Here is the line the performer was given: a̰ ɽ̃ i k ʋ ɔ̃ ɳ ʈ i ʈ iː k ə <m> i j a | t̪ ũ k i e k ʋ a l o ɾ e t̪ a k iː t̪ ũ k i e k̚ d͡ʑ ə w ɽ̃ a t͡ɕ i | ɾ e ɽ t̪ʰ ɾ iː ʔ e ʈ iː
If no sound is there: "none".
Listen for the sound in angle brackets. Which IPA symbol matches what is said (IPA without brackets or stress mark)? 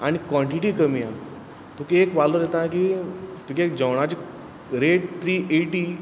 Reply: m